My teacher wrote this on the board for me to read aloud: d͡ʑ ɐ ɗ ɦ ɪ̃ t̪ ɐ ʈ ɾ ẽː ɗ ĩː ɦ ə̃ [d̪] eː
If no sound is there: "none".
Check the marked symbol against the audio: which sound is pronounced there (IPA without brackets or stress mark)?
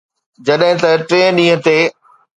t̪